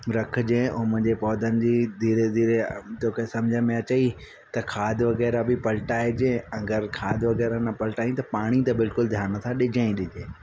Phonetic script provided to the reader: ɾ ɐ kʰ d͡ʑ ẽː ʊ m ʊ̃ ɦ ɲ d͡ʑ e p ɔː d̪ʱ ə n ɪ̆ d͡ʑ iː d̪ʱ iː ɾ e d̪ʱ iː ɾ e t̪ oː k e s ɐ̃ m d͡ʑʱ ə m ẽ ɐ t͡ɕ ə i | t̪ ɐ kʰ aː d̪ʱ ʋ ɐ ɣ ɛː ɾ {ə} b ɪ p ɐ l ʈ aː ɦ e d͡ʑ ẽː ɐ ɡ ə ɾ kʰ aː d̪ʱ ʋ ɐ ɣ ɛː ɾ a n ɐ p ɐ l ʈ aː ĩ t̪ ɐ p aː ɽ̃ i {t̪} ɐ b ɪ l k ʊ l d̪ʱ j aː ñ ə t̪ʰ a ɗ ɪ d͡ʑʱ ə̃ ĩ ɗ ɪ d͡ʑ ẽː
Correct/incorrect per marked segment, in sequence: incorrect: a, correct

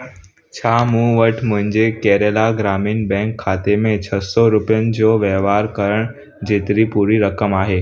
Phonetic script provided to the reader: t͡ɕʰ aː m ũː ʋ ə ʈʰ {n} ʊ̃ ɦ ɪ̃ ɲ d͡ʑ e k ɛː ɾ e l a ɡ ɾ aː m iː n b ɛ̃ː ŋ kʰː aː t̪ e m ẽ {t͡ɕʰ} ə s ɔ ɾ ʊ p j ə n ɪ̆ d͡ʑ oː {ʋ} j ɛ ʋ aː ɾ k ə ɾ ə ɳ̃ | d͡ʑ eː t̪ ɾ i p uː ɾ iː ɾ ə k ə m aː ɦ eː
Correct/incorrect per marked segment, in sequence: incorrect: m, correct, correct

